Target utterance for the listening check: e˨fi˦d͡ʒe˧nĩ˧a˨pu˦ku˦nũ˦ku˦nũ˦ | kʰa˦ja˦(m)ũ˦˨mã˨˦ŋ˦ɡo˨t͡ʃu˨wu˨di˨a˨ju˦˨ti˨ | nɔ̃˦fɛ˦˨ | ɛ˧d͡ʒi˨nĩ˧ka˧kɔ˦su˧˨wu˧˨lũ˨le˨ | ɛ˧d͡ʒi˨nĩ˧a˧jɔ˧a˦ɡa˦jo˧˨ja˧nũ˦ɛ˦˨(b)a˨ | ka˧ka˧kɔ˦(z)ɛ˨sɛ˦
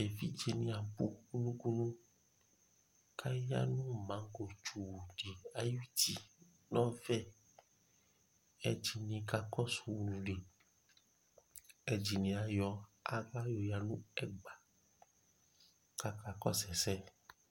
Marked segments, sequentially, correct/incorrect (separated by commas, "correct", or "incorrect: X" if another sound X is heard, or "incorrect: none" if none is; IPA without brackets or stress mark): incorrect: n, incorrect: ɡ͡b, incorrect: s